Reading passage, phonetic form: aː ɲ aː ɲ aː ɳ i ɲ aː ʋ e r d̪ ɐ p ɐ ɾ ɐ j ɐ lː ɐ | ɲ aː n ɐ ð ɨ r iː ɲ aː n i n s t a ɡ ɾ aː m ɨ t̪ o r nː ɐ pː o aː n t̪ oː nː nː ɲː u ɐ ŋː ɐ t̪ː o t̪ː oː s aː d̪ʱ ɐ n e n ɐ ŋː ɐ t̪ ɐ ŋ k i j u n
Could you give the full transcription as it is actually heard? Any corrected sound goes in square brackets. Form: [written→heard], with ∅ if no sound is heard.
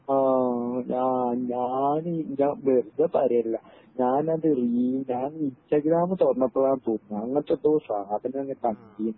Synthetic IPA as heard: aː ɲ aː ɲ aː [ɳ→n] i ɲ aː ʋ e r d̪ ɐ p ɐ ɾ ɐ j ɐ lː ɐ | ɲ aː n ɐ ð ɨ r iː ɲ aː n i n s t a ɡ ɾ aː m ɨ t̪ o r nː ɐ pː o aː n t̪ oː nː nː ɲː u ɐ ŋː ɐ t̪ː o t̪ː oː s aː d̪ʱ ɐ n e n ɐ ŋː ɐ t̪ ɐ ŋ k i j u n